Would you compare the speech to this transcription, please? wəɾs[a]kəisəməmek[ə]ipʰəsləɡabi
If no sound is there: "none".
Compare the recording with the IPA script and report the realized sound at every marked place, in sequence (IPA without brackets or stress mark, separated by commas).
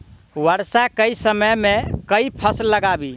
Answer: a, ə